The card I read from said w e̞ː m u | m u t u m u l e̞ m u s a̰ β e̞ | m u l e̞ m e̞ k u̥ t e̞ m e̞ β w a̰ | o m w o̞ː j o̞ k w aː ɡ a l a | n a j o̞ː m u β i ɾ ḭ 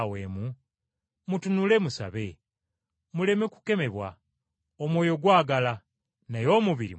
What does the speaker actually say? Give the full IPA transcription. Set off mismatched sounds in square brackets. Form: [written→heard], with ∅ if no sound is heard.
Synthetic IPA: w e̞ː m u | m u t u [m→n] u l e̞ m u s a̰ β e̞ | m u l e̞ m e̞ k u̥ [t→k] e̞ m e̞ β w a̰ | o m w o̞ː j o̞ [k→ɡ] w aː ɡ a l a | n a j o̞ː m u β i ɾ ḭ